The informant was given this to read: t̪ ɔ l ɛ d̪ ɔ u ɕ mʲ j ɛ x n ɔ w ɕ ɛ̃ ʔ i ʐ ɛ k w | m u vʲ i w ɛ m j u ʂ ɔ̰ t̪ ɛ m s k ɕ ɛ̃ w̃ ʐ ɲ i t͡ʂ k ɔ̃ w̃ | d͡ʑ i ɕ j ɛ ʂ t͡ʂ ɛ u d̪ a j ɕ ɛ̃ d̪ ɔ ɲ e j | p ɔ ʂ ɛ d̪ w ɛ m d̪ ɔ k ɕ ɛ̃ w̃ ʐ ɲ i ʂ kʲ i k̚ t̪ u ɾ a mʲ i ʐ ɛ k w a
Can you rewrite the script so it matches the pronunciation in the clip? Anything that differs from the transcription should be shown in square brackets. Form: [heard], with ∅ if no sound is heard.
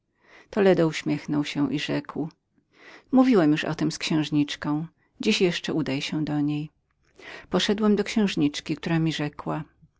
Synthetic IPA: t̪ ɔ l ɛ d̪ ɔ u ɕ mʲ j ɛ x n ɔ w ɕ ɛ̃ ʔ i ʐ ɛ k w | m u vʲ i w ɛ m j u ʂ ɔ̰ t̪ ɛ m s k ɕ ɛ̃ w̃ ʐ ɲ i t͡ʂ k ɔ̃ w̃ | d͡ʑ i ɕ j ɛ ʂ t͡ʂ ɛ u d̪ a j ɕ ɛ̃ d̪ ɔ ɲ e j | p ɔ ʂ ɛ d̪ w ɛ m d̪ ɔ k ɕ ɛ̃ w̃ ʐ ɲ i [t͡ʂ] kʲ i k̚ t̪ u ɾ a mʲ i ʐ ɛ k w a